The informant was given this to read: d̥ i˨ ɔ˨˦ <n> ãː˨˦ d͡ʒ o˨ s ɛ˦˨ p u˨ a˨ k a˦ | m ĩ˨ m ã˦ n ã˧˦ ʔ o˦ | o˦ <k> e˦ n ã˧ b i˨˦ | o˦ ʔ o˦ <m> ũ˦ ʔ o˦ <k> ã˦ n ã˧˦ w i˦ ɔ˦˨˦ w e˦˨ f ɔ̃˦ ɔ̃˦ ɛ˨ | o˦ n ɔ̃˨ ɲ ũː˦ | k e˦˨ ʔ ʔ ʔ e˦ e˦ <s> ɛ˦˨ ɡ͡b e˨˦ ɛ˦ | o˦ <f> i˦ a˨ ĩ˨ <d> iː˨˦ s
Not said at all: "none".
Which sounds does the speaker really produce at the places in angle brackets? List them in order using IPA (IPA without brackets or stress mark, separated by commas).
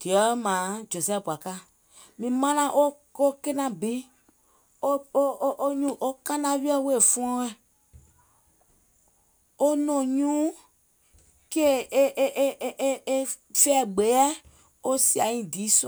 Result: m, k, ɲ, k, f, s, d